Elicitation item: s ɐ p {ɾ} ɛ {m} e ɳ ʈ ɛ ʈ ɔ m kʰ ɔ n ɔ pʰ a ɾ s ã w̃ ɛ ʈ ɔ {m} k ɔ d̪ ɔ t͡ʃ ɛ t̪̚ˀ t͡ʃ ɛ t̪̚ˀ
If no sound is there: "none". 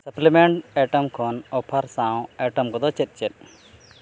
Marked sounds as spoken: l, m, m

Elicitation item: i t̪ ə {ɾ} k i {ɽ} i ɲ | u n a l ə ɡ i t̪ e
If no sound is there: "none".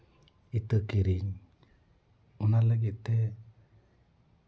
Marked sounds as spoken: none, ɾ

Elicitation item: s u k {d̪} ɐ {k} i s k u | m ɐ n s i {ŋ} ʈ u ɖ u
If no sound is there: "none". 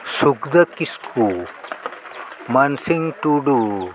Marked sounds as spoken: d̪, k, ŋ

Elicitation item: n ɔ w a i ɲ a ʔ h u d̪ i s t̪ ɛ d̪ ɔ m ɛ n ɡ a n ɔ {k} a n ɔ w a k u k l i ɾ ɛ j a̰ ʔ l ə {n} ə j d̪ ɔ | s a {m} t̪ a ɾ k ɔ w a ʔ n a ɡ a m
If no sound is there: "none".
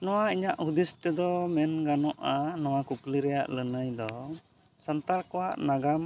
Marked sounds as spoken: ʔ, n, n

